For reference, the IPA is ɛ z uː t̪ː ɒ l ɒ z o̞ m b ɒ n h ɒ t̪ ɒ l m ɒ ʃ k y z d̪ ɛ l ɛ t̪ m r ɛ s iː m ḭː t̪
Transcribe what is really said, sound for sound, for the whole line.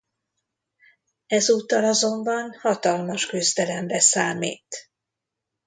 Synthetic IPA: ɛ z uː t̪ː ɒ l ɒ z o̞ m b ɒ n h ɒ t̪ ɒ l m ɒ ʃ k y z d̪ ɛ l ɛ m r ɛ s aː m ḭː t̪